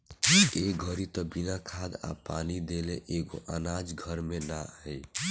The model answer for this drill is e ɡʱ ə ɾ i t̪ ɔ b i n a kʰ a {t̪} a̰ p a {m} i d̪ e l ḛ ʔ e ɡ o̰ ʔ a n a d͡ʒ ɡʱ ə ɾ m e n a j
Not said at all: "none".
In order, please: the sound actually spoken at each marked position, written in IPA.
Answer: d̪, n

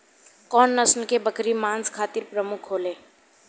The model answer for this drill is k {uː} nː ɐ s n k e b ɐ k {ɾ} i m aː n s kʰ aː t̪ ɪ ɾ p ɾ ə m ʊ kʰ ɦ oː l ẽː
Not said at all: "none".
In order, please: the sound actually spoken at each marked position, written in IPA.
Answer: ɔː, ɾ

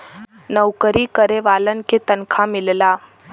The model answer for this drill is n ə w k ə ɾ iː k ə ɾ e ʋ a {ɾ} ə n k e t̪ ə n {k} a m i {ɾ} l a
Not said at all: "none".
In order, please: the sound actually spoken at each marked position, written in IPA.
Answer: l, kʰ, l

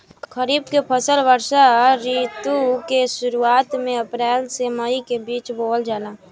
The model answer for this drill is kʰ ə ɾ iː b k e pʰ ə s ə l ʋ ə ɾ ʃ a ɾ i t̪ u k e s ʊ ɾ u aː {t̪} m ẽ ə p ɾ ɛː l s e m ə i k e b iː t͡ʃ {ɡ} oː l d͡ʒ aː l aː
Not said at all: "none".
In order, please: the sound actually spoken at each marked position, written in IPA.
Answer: t̪, b

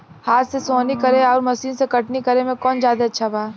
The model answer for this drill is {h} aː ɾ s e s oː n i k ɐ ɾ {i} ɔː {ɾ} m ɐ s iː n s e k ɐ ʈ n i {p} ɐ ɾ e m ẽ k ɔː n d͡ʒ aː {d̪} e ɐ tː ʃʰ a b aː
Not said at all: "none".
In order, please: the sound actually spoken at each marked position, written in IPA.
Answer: h, e, ɾ, k, d̪

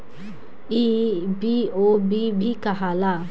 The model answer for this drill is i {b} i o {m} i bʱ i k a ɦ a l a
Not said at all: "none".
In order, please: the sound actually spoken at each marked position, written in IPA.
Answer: b, b

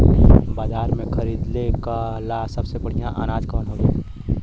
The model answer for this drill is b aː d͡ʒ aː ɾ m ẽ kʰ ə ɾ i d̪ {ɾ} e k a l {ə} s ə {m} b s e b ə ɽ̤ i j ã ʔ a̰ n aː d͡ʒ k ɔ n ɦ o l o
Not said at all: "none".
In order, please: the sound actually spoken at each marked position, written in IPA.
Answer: l, a, none

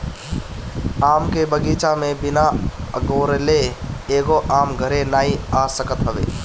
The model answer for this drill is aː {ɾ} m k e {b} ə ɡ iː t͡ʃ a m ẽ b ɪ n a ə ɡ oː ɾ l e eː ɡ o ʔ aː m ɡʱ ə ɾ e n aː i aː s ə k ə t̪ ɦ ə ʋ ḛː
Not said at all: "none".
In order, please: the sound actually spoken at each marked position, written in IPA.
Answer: none, b

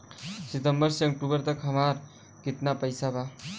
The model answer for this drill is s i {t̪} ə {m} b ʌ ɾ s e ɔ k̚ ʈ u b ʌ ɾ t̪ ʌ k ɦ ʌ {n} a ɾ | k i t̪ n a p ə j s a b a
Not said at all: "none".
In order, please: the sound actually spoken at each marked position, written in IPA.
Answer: t̪, m, m

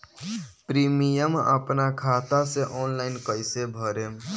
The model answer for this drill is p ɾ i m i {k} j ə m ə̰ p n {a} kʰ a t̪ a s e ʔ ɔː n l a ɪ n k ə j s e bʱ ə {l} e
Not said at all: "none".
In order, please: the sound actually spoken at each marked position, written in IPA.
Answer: none, a, ɾ

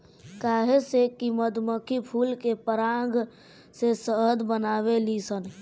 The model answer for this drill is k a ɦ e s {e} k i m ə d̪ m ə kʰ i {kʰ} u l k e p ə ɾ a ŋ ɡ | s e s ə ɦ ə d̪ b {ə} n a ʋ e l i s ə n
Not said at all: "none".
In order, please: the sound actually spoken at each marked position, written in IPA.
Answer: e, pʰ, ə

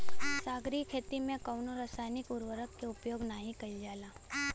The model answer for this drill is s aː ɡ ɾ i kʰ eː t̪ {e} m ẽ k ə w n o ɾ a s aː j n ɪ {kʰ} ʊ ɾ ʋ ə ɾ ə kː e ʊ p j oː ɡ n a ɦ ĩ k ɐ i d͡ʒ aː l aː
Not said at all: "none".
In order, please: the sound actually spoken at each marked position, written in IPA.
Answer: i, k

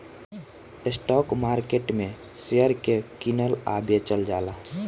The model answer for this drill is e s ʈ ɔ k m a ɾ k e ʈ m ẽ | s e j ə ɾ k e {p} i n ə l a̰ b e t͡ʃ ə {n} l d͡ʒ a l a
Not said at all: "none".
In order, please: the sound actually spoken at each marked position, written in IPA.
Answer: k, none

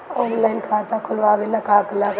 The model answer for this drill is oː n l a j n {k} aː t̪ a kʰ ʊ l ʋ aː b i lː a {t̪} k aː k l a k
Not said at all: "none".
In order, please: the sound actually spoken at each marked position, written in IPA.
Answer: kʰ, none

